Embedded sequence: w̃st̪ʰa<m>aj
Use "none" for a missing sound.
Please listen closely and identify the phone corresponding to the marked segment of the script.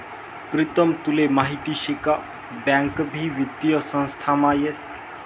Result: m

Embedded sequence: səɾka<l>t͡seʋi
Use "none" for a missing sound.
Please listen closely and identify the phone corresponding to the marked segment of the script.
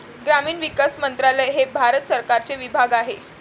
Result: ɾ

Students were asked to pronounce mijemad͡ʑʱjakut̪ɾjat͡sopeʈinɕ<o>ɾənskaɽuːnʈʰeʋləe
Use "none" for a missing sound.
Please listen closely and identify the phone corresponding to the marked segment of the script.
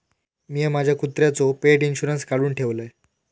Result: u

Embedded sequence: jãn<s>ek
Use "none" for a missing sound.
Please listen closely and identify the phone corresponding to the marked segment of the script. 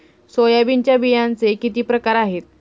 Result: t͡s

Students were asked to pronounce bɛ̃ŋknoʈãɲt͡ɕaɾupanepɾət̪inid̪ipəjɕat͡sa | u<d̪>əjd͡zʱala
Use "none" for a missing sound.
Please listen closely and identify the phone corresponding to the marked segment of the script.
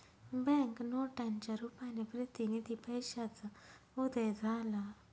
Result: d̪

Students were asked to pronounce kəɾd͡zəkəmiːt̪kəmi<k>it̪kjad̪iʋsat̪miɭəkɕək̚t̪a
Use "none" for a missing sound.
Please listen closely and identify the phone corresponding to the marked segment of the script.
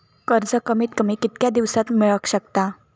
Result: k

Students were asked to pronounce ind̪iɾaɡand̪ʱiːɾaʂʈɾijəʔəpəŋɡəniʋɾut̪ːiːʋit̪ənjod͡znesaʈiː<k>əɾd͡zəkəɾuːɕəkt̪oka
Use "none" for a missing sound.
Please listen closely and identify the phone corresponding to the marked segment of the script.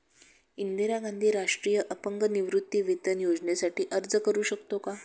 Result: ʔ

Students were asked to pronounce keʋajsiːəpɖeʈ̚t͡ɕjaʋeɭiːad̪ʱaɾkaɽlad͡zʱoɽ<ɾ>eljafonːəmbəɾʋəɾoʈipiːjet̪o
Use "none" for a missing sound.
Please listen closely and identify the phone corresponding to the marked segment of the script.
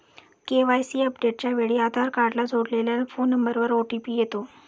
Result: l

